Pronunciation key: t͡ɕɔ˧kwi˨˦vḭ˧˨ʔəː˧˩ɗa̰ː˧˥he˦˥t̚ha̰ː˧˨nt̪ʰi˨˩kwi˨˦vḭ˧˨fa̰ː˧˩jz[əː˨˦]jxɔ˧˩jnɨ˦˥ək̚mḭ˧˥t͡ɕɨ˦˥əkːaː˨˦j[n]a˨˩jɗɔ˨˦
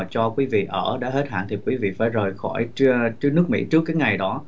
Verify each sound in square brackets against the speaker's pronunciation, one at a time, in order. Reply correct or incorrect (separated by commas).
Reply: incorrect, incorrect